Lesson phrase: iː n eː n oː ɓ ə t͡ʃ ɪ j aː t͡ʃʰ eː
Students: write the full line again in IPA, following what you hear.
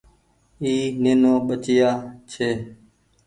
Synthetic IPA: iː n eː n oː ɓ ə t͡ʃ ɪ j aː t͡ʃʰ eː